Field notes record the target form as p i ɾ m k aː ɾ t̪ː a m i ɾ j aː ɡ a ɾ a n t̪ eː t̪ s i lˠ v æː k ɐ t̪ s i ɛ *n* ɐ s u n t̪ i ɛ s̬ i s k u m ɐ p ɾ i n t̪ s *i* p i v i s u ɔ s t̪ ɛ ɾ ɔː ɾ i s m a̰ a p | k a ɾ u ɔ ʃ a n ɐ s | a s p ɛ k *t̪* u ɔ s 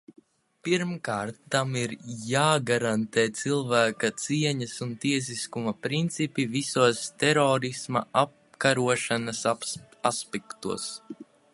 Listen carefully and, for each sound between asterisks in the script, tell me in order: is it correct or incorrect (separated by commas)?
incorrect, correct, correct